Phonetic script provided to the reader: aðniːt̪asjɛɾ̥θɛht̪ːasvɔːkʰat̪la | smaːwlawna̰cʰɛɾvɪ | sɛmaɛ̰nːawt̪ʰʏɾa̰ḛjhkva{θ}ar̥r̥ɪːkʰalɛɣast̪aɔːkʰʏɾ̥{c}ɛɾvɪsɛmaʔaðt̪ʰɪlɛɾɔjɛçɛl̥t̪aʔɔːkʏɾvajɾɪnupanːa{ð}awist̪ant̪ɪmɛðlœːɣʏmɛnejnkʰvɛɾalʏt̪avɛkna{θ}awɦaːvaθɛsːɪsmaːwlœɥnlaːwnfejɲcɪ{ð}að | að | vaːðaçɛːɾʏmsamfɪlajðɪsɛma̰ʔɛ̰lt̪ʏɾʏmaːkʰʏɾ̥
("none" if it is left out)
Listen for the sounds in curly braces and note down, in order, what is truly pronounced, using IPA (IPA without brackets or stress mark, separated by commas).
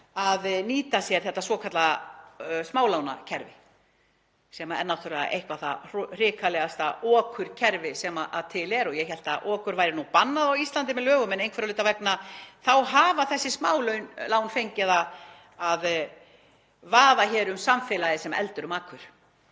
θ, cʰ, ð, θ, ð